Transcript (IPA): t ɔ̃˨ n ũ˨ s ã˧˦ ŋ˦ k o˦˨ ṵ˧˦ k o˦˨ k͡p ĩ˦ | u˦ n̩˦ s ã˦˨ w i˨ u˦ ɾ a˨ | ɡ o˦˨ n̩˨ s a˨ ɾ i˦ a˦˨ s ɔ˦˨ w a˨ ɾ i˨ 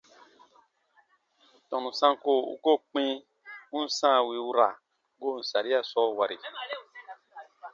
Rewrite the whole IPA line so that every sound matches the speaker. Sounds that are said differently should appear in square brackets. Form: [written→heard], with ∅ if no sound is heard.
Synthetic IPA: t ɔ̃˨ n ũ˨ s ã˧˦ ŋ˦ k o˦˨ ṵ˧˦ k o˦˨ k͡p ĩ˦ | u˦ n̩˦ s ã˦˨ w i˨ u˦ ɾ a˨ | ɡ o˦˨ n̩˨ s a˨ ɾ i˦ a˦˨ s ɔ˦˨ w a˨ ɾ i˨